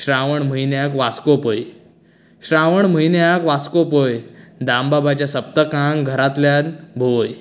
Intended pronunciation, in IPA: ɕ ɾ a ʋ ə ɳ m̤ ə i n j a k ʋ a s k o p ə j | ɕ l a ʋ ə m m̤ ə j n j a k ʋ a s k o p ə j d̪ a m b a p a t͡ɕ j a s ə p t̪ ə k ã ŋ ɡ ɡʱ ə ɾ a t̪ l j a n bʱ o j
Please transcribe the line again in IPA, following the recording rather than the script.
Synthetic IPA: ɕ ɾ a ʋ ə ɳ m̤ ə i n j a k ʋ a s k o p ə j | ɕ ɾ a ʋ ə ɳ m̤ ə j n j a k ʋ a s k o p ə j d̪ a m b a b a t͡ɕ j a s ə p t̪ ə k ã ŋ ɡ ɡʱ ə ɾ a t̪ l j a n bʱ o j

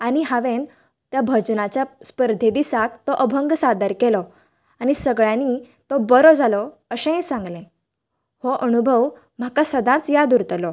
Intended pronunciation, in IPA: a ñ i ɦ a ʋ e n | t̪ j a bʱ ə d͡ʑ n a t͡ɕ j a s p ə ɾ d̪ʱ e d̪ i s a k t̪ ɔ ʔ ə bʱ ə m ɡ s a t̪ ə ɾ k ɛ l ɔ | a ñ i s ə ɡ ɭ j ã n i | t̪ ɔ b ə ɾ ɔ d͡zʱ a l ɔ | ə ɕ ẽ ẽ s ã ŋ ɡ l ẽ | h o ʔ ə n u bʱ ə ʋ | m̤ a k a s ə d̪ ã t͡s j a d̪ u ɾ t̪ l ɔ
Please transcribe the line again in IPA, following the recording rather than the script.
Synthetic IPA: a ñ i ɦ a ʋ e n | t̪ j a bʱ ə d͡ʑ n a t͡ɕ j a s p ə ɾ d̪ʱ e d̪ i s a k t̪ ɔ ʔ ə bʱ ə ŋ ɡ s a d̪ ə ɾ k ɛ l ɔ | a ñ i s ə ɡ ɭ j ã n i | t̪ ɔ b ə ɾ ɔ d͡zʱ a l ɔ | ə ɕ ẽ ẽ s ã ŋ ɡ l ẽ | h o ʔ ə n u bʱ ə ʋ | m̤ a k a s ə d̪ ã t͡s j a d̪ u ɾ t̪ l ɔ

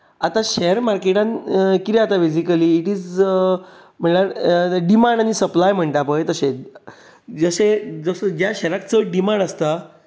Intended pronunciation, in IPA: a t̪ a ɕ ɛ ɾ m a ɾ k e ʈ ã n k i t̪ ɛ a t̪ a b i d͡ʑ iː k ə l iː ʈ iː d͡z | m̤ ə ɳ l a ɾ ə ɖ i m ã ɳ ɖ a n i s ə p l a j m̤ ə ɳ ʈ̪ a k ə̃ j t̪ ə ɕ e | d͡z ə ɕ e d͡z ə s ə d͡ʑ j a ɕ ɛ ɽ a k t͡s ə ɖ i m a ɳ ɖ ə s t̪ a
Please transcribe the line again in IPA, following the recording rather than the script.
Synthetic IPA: a t̪ a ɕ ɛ ɾ m a ɾ k e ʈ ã n k i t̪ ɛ a t̪ a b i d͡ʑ i k ə l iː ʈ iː d͡z | m̤ ə ɳ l a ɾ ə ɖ i m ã ɳ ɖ a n i s ə p l a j m̤ ə ɳ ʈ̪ a p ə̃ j t̪ ə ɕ e | d͡z ə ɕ e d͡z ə s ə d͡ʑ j a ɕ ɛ ɾ a k t͡s ə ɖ i m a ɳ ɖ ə s t̪ a

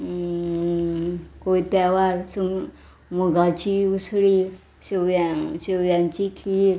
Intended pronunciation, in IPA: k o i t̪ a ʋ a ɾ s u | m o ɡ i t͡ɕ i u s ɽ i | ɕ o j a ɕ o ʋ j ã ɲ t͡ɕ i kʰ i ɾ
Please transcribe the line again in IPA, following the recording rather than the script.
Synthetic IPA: k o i t̪ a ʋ a ɾ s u | m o ɡ a t͡ɕ i u s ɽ i | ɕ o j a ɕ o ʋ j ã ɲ t͡ɕ i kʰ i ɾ

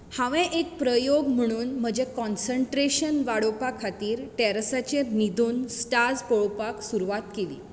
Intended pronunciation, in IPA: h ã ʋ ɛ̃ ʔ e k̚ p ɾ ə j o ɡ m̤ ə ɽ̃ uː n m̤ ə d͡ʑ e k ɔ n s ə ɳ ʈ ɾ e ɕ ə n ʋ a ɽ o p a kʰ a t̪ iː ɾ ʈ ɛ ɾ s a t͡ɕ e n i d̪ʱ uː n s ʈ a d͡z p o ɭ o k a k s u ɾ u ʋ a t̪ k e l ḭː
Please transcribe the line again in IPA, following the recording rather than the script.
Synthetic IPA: h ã ʋ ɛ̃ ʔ e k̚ p ɾ ə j o ɡ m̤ ə ɽ̃ uː n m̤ ə d͡ʑ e k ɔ n s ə ɳ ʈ ɾ e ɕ ə n ʋ a ɽ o p a kʰ a t̪ iː ɾ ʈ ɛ ɾ s a t͡ɕ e n i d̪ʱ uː n s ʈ a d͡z p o ɭ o p a k s u ɾ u ʋ a t̪ k e l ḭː

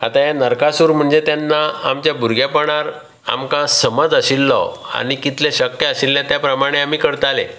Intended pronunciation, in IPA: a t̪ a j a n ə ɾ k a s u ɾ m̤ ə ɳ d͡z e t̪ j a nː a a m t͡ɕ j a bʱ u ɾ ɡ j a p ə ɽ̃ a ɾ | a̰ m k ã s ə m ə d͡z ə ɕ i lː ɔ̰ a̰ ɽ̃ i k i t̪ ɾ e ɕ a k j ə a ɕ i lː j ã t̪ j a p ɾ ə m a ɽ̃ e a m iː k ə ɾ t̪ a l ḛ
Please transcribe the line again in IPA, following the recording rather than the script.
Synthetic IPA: a t̪ a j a n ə ɾ k a s u ɾ m̤ ə ɳ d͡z e t̪ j a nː a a m t͡ɕ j a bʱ u ɾ ɡ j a p ə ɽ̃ a ɾ | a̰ m k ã s ə m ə d͡z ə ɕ i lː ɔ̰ a̰ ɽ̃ i k i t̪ l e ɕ ə k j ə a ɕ i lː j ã t̪ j a p ɾ ə m a ɽ̃ e a m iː k ə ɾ t̪ a l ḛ

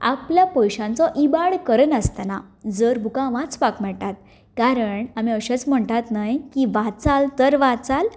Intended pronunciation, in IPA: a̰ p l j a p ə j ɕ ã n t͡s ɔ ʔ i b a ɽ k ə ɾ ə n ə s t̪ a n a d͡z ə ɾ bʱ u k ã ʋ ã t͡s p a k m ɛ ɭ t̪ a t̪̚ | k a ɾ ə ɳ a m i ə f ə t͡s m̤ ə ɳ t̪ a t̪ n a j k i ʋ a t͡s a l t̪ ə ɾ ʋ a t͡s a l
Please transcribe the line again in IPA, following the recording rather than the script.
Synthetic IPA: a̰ p l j a p ə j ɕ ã n t͡s ɔ ʔ i b a ɽ k ə ɾ ə n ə s t̪ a n a d͡z ə ɾ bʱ u k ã ʋ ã t͡s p a k m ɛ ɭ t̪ a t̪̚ | k a ɾ ə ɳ a m i ə ɕ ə t͡s m̤ ə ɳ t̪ a t̪ n a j k i ʋ a t͡s a l t̪ ə ɾ ʋ a t͡s a l

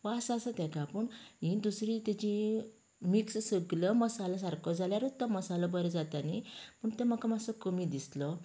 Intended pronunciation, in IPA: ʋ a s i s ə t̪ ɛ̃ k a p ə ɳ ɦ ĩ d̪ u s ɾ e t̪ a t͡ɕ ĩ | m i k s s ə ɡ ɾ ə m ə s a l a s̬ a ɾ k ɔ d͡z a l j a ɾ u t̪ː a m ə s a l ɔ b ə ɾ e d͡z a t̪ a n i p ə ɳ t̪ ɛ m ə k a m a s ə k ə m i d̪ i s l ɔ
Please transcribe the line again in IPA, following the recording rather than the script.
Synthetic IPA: ʋ a s a s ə t̪ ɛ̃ k a p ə ɳ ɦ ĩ d̪ u s ɾ i t̪ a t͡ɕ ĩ | m i k s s ə ɡ l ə m ə s a l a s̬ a ɾ k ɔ d͡z a l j a ɾ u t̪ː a m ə s a l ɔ b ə ɾ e d͡z a t̪ a n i p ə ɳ t̪ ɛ m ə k a m a s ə k ə m i d̪ i s l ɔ

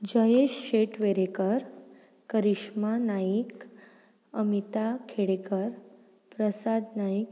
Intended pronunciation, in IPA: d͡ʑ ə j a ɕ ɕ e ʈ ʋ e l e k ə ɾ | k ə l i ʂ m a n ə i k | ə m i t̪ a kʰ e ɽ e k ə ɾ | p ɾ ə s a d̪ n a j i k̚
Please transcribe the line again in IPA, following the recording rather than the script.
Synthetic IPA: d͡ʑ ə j e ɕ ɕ e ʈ ʋ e ɾ e k ə ɾ | k ə ɾ i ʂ m a n a i k | ə m i t̪ a kʰ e ɽ e k ə ɾ | p ɾ ə s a d̪ n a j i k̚

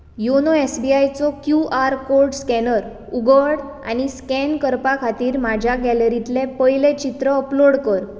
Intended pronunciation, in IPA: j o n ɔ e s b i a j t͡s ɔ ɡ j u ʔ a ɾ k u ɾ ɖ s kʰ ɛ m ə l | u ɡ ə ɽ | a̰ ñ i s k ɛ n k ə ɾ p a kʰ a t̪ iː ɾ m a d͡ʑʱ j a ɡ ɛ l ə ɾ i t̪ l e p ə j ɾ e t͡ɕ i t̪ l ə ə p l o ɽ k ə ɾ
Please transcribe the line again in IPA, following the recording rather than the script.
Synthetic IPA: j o n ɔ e s b i a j t͡s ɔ k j u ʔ a ɾ k o ɾ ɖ s k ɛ n ə ɾ | u ɡ ə ɽ | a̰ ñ i s k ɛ n k ə ɾ p a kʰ a t̪ iː ɾ m a d͡ʑʱ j a ɡ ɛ l ə ɾ i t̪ l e p ə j l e t͡ɕ i t̪ ɾ ə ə p l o ɽ k ə ɾ

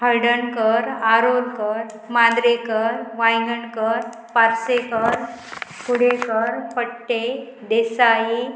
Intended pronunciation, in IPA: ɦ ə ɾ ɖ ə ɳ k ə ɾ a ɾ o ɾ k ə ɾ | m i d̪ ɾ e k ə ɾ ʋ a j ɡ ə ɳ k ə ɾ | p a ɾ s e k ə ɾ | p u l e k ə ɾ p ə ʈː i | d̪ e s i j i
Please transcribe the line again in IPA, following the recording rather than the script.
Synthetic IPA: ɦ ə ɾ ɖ ə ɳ k ə ɾ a ɾ o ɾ k ə ɾ | m a d̪ ɾ e k ə ɾ ʋ a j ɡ ə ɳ k ə ɾ | p a ɾ s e k ə ɾ | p u ɽ e k ə ɾ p ə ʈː e | d̪ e s a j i

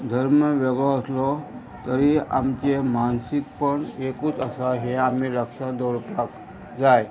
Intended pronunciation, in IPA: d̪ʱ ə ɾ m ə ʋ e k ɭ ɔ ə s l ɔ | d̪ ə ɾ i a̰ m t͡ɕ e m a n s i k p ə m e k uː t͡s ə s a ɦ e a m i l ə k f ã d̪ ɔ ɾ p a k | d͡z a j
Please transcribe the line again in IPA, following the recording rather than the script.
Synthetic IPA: d̪ʱ ə ɾ m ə ʋ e ɡ ɭ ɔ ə s l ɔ | t̪ ə ɾ i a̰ m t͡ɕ e m a n s i k p ə ɳ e k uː t͡s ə s a ɦ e a m i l ə k ʂ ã d̪ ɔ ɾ p a k | d͡z a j

